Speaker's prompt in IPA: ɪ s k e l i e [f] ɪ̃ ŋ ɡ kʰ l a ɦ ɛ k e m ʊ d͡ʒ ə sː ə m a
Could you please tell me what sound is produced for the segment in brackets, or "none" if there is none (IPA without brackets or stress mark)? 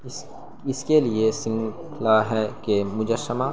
s